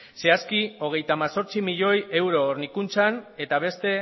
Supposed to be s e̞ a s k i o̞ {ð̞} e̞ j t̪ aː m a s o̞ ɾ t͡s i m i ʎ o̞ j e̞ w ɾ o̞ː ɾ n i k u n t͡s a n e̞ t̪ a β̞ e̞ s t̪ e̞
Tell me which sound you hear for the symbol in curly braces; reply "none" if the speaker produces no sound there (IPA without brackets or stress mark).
ɣ̞